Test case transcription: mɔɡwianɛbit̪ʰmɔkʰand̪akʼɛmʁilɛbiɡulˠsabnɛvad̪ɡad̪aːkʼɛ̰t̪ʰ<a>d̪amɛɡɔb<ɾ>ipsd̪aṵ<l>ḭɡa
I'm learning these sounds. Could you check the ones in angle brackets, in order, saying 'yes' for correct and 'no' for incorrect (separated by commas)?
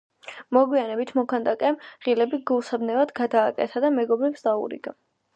yes, yes, no